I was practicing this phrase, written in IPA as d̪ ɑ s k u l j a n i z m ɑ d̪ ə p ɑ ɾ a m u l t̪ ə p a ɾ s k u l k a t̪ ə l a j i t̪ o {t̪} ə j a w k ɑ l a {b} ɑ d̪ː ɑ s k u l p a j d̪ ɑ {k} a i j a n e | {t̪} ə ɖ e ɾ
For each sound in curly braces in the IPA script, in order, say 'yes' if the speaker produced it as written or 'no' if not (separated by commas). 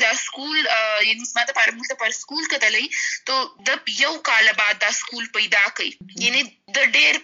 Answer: no, yes, yes, no